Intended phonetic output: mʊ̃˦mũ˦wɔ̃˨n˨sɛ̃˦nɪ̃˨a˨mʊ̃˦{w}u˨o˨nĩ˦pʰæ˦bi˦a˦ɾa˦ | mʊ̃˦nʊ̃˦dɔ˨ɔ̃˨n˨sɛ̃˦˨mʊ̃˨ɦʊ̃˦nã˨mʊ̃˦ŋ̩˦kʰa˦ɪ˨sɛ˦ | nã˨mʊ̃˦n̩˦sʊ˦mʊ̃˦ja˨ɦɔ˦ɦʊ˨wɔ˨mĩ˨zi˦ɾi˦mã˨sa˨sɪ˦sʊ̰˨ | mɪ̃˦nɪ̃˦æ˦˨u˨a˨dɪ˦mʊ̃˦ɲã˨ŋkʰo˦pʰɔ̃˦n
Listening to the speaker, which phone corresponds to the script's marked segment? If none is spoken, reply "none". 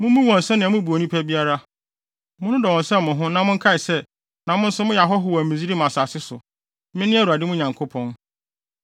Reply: b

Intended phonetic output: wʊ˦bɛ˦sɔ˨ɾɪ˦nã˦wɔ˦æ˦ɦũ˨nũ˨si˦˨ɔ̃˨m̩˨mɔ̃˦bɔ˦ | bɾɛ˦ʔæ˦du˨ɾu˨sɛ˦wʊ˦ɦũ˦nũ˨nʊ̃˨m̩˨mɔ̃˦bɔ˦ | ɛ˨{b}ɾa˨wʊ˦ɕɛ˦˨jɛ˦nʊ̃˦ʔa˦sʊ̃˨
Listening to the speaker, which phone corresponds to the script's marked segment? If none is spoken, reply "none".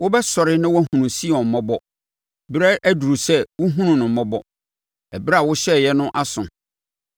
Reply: b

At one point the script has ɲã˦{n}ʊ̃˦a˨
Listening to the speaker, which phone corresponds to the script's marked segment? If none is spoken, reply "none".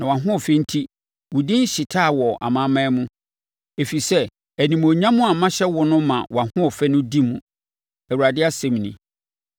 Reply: m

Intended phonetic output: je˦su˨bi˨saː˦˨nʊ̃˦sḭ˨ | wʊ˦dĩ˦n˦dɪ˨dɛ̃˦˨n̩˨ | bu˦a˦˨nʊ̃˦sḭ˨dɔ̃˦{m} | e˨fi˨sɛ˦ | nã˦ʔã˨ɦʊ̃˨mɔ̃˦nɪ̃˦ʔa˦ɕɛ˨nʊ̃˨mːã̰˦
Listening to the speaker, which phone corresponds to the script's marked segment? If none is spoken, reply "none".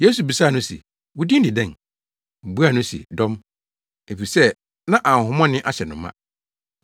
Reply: m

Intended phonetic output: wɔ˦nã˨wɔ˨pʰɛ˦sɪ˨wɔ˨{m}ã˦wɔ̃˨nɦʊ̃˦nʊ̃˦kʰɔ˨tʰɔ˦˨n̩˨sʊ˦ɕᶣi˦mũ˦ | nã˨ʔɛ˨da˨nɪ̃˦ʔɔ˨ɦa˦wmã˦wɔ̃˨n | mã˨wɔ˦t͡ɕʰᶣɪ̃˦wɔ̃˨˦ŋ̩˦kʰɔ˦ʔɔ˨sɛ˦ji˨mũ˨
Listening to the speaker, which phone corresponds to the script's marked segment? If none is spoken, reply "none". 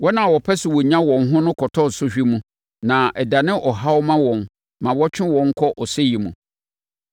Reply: ɲ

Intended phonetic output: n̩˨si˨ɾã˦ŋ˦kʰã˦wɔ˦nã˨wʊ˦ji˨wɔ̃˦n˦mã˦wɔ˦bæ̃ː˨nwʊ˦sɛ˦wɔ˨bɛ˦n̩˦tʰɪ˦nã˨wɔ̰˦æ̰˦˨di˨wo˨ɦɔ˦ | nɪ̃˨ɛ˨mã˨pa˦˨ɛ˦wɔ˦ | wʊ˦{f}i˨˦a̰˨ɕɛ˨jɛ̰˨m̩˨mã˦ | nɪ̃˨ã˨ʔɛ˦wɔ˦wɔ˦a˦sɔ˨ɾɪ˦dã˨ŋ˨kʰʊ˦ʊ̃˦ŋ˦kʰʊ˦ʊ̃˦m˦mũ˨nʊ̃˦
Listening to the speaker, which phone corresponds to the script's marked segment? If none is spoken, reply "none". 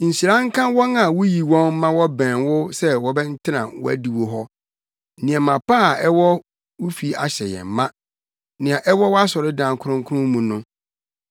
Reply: f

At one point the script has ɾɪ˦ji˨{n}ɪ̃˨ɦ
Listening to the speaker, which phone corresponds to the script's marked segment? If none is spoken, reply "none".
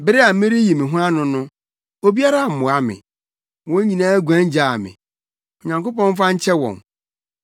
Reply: m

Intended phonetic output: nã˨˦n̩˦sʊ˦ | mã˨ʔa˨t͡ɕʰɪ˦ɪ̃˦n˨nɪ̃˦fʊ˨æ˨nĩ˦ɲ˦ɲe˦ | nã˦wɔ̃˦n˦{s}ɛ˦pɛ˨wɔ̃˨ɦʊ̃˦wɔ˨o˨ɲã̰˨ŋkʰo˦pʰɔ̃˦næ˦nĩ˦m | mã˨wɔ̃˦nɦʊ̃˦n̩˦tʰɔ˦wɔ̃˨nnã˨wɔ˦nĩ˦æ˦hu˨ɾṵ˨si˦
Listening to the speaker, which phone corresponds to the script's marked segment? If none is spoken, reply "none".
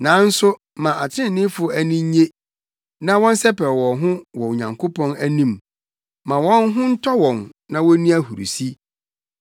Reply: s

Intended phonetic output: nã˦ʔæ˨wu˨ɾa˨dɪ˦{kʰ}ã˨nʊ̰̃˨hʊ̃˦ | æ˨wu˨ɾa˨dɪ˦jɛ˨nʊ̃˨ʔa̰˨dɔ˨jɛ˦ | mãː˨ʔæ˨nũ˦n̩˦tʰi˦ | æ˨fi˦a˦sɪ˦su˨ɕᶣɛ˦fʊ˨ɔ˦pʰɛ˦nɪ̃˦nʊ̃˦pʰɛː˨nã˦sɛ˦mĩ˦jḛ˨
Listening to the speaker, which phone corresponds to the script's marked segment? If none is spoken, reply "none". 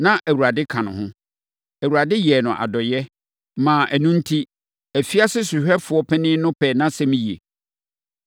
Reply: kʰ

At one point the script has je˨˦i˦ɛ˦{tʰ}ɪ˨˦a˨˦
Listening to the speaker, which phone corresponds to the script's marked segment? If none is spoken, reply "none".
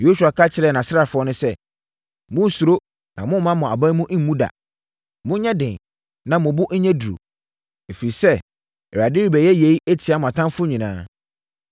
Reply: tʰ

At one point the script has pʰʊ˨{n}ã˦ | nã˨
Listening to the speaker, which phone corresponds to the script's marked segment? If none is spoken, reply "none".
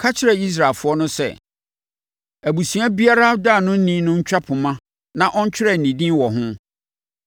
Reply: m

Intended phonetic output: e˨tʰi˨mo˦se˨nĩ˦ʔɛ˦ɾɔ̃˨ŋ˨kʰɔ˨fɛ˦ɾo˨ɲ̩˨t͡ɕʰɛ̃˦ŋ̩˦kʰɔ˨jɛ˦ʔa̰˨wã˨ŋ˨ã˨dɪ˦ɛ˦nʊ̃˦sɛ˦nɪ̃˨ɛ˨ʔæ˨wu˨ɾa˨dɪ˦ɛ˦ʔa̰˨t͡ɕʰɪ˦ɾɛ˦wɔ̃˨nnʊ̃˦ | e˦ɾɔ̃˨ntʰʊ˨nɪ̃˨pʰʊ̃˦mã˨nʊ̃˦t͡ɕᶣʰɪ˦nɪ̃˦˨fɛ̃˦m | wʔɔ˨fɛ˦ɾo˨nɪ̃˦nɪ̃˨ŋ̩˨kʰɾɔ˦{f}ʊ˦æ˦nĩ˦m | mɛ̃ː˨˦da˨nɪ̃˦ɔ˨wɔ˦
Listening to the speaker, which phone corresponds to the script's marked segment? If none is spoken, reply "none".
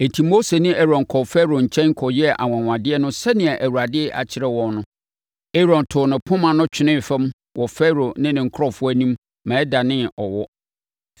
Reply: f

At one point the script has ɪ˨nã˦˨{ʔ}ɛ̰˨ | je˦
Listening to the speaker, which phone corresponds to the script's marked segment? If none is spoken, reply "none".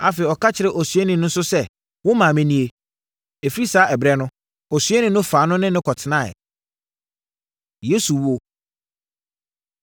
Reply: none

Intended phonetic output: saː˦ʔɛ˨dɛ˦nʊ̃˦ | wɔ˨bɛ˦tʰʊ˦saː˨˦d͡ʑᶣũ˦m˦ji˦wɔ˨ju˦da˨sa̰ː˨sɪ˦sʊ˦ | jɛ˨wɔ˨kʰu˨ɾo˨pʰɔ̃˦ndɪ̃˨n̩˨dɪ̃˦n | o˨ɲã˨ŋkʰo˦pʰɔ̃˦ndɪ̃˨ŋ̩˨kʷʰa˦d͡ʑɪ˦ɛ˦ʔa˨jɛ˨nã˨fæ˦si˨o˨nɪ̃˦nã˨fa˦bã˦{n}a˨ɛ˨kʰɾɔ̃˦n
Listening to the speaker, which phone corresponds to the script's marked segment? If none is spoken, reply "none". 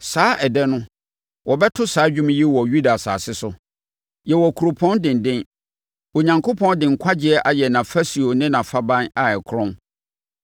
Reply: n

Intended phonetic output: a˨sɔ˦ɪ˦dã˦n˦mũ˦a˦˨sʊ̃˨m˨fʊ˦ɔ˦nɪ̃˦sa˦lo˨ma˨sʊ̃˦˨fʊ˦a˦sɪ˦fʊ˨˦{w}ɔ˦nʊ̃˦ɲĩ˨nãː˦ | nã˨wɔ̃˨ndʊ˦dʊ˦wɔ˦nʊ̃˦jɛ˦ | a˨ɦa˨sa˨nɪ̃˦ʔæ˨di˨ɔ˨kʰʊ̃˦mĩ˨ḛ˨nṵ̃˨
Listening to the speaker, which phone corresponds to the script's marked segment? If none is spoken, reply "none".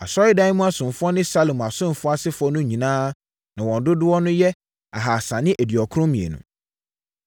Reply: none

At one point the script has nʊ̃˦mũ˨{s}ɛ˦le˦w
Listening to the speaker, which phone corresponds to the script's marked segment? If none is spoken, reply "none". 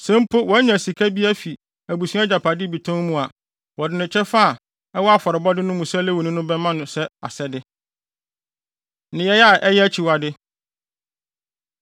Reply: s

